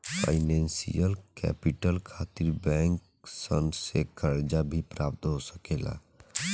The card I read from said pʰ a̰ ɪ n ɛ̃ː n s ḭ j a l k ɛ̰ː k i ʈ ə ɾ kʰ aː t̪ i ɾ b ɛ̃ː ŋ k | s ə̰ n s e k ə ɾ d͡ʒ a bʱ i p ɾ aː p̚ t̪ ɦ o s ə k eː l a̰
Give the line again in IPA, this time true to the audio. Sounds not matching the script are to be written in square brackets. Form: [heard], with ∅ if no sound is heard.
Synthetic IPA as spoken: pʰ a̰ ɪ n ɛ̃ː n s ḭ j [ə] l k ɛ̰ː [p] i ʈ ə [l] kʰ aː t̪ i ɾ b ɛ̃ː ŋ k | s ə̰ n s e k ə ɾ d͡ʒ a bʱ i p ɾ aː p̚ t̪ ɦ o s ə k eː l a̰